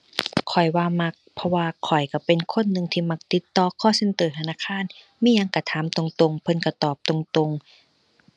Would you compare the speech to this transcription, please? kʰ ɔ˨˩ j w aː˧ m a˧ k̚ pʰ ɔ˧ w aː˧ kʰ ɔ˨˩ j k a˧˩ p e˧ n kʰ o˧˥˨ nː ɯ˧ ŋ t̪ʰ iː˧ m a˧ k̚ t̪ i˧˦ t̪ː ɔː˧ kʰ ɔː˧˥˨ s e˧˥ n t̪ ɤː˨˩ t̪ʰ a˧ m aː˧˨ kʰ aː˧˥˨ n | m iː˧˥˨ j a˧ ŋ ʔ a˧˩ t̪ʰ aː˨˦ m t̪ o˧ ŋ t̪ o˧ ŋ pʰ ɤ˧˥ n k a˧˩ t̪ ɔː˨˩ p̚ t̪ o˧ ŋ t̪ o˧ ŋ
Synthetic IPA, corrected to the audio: kʰ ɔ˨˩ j w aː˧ m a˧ k̚ pʰ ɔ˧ w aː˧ kʰ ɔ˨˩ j k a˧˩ p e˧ n kʰ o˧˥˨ nː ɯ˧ ŋ t̪ʰ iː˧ m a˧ k̚ t̪ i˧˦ t̪ː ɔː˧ kʰ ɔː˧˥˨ s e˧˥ n t̪ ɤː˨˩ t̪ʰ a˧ n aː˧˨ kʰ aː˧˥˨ n | m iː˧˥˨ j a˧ ŋ k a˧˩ t̪ʰ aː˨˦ m t̪ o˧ ŋ t̪ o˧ ŋ pʰ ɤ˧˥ n k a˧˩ t̪ ɔː˨˩ p̚ t̪ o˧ ŋ t̪ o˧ ŋ